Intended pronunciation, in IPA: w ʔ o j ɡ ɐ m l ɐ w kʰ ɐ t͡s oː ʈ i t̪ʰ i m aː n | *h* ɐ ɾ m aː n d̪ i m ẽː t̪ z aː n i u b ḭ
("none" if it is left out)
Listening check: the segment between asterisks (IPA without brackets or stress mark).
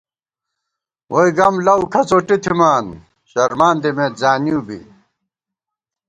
ɕ